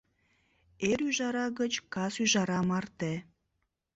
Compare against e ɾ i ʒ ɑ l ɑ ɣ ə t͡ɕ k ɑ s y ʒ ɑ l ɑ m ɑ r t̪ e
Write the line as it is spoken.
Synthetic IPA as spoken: e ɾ y ʒ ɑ ɾ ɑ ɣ ə t͡ɕ k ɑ s y ʒ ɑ ɾ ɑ m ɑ r t̪ e

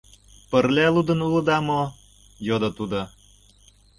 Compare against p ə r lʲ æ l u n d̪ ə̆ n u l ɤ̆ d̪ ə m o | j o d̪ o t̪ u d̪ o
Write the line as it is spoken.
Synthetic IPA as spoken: p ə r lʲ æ l u d̪ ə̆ n u l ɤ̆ d̪ ɑ m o | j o d̪ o t̪ u d̪ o

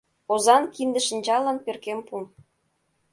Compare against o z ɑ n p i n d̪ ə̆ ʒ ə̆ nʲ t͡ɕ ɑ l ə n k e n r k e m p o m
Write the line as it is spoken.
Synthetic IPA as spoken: o z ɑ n k i n d̪ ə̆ ʃ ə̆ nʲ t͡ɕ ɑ l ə n p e r k e m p u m

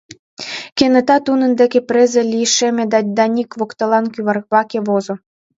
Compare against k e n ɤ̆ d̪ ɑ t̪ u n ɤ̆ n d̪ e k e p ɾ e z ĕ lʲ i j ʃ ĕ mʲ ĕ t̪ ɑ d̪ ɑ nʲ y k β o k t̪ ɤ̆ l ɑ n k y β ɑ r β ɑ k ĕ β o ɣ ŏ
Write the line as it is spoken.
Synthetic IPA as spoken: k e n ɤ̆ t̪ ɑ t̪ u n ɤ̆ n d̪ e k e p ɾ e z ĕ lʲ i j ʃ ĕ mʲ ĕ d̪ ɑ d̪ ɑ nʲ i k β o k t̪ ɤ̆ l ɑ n k y β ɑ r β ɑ k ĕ β o z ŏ

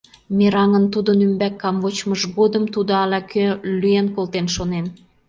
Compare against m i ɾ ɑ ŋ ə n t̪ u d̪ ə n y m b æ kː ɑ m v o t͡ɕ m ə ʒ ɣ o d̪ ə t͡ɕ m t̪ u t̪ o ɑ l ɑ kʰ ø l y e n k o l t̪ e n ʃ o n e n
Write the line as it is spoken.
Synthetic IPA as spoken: m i ɾ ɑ ŋ ə n t̪ u d̪ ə n y m b æ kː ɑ m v o t͡ɕ m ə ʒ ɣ o d̪ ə m t̪ u d̪ o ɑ l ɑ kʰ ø l y e n k o l t̪ e n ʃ o n e n

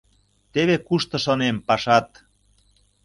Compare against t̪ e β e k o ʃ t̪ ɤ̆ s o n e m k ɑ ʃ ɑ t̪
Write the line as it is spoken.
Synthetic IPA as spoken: t̪ e β e k u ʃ t̪ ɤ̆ ʃ o n e m p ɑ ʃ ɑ t̪

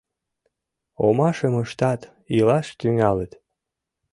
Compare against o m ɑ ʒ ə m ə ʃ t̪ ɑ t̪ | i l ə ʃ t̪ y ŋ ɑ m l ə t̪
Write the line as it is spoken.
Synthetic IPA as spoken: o m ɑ ʃ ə m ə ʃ t̪ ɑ t̪ | i l ɑ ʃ t̪ y ŋ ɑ l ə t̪

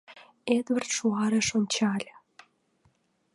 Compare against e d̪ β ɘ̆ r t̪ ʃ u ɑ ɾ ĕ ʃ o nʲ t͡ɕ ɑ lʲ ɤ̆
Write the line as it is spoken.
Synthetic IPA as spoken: e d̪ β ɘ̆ r t̪ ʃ u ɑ ɾ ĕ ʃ o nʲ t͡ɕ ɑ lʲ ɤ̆

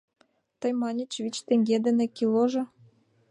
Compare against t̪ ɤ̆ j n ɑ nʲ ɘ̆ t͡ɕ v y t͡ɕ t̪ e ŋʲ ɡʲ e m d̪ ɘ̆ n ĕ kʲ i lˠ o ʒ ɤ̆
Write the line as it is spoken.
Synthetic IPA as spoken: t̪ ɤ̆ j m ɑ nʲ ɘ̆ t͡ɕ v i t͡ɕ t̪ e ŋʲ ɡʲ e d̪ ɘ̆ n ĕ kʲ i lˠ o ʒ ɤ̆

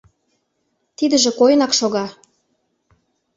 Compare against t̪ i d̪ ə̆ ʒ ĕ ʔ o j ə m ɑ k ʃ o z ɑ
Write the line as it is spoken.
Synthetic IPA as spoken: t̪ i d̪ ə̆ ʒ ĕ k o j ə n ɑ k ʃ o ɣ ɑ

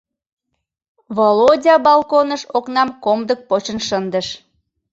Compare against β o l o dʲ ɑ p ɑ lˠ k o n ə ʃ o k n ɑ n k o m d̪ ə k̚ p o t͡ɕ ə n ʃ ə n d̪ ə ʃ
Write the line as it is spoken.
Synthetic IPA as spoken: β o l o dʲ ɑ b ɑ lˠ k o n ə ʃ o k n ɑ m k o m d̪ ə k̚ p o t͡ɕ ə n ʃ ə n d̪ ə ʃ

